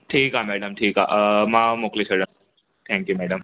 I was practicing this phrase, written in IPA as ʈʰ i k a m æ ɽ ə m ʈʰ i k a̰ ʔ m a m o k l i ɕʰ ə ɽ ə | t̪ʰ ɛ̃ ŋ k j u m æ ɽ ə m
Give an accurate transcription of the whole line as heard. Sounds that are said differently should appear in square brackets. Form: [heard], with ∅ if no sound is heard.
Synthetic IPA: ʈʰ [iː] k a m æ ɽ ə m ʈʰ [iː] k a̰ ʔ m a m o k l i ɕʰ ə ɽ ə | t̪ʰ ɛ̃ ŋ k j u m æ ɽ ə m